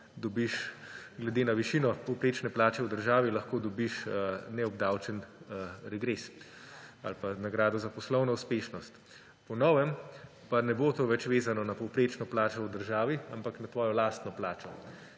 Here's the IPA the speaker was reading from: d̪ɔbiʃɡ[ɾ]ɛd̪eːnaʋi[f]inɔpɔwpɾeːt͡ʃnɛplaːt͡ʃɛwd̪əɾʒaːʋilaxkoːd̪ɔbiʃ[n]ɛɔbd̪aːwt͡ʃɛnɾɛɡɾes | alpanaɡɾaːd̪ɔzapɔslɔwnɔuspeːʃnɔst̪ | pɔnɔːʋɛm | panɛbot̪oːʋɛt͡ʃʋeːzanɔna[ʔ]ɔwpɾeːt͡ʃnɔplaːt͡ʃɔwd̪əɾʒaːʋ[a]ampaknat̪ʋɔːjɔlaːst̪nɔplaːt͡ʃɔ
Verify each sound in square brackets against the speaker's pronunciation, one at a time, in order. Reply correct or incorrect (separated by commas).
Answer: incorrect, incorrect, correct, incorrect, incorrect